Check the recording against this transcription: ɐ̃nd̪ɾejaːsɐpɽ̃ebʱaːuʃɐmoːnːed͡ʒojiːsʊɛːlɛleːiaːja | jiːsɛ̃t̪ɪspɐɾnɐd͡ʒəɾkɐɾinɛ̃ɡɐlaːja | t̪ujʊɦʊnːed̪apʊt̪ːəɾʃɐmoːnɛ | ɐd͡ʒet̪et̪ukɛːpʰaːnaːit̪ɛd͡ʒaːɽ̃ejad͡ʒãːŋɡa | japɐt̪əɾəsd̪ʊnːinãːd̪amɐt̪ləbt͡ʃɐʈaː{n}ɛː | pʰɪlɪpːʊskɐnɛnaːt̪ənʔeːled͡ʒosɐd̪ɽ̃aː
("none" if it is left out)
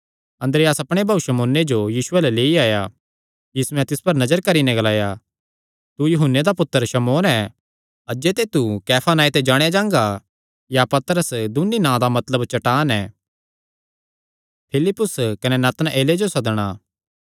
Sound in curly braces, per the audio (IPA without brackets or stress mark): n